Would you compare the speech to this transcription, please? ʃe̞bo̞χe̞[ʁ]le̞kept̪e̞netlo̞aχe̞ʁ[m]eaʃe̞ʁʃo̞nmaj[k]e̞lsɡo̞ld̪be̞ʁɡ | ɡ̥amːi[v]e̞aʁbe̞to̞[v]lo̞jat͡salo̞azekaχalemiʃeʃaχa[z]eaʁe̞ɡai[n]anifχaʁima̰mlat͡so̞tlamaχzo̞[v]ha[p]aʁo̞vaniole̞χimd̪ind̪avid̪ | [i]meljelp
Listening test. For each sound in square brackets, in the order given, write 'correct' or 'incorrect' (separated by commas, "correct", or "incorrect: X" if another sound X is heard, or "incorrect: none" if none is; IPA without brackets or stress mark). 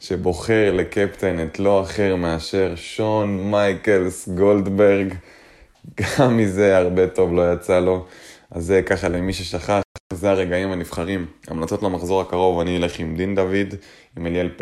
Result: correct, correct, correct, incorrect: z, correct, correct, incorrect: m, incorrect: ʁ, incorrect: k, correct